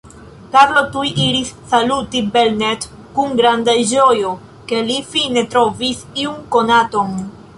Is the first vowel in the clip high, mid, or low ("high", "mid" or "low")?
low